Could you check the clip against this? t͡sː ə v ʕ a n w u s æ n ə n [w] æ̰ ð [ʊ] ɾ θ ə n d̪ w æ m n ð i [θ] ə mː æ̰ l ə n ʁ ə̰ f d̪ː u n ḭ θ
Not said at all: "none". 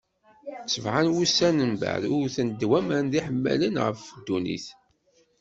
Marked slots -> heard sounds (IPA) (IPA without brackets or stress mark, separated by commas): b, ʊ, ħ